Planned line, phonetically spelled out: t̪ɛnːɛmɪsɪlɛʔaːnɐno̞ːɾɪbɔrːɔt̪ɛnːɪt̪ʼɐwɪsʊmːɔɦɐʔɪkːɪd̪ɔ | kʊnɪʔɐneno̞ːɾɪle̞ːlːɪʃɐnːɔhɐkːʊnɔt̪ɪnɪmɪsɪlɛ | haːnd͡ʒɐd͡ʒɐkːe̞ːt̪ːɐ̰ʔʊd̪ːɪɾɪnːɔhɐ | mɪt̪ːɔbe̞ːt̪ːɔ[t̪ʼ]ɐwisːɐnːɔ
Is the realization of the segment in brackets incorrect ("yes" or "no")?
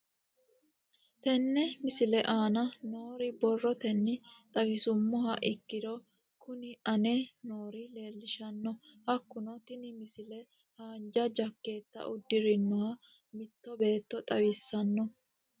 no